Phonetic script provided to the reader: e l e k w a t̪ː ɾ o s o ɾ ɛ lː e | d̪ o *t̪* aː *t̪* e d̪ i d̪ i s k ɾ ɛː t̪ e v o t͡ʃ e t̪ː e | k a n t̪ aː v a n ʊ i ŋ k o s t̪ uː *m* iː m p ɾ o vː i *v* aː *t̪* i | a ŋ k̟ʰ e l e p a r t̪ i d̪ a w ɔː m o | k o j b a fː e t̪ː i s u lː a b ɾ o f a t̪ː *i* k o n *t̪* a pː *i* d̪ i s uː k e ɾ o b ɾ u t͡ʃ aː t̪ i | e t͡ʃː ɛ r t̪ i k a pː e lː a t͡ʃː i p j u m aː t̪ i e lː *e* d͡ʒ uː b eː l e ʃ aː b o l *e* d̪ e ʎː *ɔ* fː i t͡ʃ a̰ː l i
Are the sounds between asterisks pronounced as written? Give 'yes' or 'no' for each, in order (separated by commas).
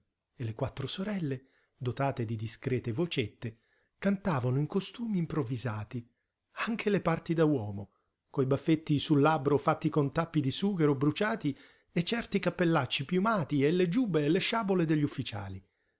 yes, yes, yes, no, yes, yes, yes, yes, yes, yes, no